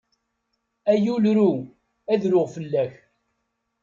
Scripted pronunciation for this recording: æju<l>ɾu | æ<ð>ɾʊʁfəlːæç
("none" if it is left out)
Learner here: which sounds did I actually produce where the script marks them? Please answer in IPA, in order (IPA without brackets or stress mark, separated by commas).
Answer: l, ð